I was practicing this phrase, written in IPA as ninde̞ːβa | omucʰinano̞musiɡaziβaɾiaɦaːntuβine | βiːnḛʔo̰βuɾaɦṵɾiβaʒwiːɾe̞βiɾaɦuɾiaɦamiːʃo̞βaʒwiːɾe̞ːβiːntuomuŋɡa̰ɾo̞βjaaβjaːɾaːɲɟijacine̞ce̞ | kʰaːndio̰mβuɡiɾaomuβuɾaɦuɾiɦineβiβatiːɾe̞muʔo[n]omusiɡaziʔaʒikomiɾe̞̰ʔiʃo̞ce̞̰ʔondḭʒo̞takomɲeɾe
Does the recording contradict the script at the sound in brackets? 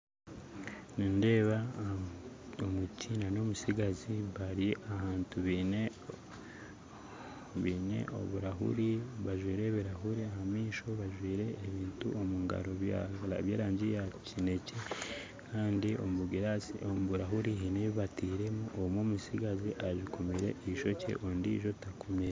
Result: yes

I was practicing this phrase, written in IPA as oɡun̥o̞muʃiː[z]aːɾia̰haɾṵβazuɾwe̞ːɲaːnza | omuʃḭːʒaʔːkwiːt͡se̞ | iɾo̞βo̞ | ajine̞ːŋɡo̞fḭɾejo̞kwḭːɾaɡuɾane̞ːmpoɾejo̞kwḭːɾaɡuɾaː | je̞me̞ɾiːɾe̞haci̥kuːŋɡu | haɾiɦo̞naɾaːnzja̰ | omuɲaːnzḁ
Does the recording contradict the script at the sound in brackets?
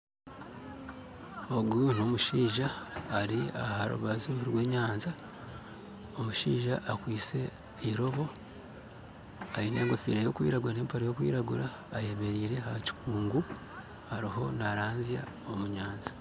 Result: yes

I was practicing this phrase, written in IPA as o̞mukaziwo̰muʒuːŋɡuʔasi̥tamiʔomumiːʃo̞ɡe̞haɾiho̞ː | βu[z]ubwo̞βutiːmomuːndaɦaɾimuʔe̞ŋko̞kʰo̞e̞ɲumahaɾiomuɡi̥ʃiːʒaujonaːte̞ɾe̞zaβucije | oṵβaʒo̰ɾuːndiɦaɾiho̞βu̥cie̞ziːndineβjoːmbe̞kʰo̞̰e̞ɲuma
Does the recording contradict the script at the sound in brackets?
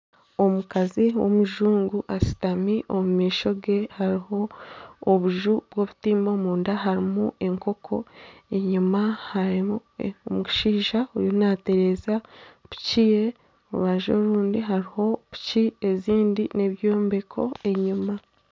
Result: yes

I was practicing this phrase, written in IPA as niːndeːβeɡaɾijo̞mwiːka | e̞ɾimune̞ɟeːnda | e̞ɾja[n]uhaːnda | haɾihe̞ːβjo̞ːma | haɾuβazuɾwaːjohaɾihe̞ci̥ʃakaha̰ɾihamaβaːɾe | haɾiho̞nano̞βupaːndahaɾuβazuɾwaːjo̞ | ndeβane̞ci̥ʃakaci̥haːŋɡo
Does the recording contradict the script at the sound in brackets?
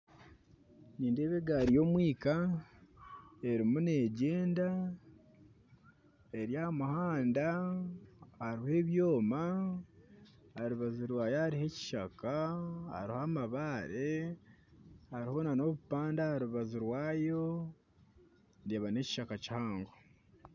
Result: yes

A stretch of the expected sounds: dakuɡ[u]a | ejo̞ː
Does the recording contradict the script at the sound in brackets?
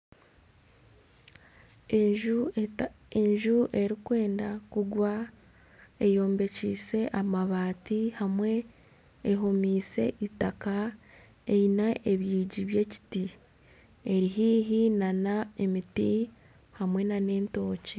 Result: yes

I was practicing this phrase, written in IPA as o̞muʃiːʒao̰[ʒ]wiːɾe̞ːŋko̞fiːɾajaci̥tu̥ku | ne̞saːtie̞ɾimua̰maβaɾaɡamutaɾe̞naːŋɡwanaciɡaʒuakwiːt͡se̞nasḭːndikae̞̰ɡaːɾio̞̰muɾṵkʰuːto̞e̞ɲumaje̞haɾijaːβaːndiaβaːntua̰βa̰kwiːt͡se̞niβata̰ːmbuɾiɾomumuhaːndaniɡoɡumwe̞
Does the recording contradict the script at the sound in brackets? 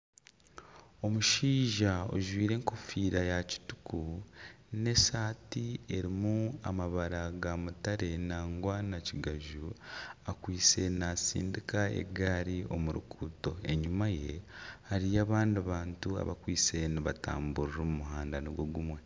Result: no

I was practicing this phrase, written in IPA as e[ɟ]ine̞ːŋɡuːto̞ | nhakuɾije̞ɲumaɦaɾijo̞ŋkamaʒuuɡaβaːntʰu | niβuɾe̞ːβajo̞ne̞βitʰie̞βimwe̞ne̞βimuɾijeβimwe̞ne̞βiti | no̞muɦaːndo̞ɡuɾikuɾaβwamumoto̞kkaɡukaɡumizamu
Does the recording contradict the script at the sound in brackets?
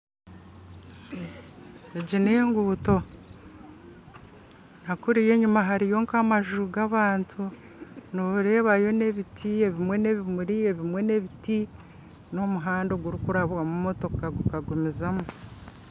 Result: no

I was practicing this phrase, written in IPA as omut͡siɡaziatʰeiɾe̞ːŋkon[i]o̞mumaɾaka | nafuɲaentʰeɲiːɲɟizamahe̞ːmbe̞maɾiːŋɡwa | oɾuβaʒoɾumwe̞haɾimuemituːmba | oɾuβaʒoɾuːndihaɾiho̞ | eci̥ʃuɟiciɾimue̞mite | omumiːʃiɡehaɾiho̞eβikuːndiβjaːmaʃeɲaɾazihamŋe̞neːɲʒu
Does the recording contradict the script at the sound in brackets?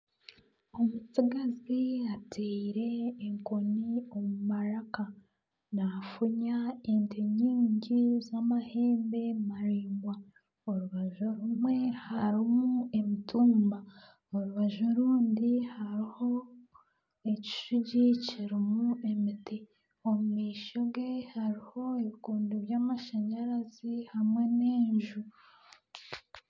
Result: no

